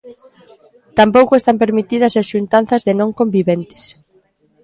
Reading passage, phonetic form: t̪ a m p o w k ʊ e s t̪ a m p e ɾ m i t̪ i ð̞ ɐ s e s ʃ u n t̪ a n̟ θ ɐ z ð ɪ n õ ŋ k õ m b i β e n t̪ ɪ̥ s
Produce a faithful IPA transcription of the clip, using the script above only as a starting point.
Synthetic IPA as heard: t̪ a m p o w k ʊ e s t̪ a m p e ɾ m i t̪ i ð̞ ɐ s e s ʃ u n t̪ a n̟ θ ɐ z ð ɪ n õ ŋ k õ m b i β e n t̪ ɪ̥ s